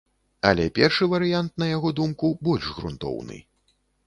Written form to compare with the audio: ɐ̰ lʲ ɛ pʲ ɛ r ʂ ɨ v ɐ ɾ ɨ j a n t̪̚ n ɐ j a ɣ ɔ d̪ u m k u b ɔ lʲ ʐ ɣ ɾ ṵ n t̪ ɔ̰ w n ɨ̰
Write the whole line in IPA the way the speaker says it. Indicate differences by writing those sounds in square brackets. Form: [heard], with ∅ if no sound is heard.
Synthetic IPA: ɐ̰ lʲ ɛ pʲ ɛ r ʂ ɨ v ɐ ɾ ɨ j a n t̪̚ n ɐ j a ɣ ɔ d̪ u m k u b ɔ lʲ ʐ ɣ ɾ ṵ n t̪ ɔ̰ w n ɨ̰